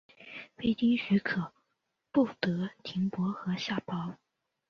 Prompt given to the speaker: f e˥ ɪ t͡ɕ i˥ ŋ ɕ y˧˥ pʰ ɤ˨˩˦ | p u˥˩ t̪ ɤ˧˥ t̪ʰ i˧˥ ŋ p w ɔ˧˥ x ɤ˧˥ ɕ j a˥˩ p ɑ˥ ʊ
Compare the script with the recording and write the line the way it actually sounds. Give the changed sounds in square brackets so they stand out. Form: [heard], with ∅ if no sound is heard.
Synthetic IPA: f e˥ ɪ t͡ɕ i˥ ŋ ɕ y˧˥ [kʰ] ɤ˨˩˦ | p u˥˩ t̪ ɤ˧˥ t̪ʰ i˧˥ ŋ p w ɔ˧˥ x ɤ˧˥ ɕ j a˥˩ p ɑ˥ ʊ

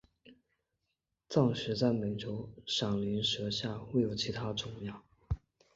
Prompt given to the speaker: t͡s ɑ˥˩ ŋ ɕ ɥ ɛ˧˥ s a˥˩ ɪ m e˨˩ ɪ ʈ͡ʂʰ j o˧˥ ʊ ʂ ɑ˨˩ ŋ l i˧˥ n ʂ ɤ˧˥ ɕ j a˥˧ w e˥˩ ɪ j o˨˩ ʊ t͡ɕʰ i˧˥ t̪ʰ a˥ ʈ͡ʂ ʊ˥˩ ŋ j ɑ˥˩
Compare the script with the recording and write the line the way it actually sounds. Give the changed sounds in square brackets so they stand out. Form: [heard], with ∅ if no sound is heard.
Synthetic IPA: t͡s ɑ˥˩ ŋ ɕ ɥ ɛ˧˥ [t͡s] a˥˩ ɪ m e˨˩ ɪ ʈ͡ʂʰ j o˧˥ ʊ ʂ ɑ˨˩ ŋ l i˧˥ n ʂ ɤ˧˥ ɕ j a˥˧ w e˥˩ ɪ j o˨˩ ʊ t͡ɕʰ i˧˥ t̪ʰ a˥ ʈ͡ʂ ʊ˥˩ ŋ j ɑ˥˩

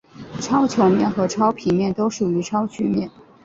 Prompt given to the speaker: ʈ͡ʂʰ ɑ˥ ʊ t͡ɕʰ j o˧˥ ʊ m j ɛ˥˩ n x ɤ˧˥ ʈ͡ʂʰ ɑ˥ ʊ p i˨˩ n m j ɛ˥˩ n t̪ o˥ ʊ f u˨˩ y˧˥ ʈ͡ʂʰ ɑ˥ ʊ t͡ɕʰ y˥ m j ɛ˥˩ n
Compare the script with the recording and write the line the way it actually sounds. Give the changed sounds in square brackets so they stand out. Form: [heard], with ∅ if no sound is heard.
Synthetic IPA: ʈ͡ʂʰ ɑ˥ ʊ t͡ɕʰ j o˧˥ ʊ m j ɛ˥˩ n x ɤ˧˥ ʈ͡ʂʰ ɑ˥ ʊ [pʰ] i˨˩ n m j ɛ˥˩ n t̪ o˥ ʊ [ʂ] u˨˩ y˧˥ ʈ͡ʂʰ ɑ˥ ʊ t͡ɕʰ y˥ m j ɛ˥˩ n

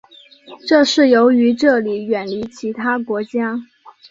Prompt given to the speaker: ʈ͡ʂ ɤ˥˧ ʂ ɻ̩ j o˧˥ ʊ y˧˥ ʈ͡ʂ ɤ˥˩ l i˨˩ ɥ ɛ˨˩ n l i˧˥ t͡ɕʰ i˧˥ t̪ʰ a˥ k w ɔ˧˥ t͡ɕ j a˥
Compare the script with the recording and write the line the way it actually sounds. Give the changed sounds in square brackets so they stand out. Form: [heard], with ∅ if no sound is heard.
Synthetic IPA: ʈ͡ʂ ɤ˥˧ ʂ ɻ̩ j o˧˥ ʊ y˧˥ ʈ͡ʂ ɤ˥˩ l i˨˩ ɥ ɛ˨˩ n l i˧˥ t͡ɕʰ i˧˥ t̪ʰ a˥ k w ɔ˧˥ t͡ɕ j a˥

